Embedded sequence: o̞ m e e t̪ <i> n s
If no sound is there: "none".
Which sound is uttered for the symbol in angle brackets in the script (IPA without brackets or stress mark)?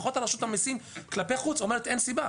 e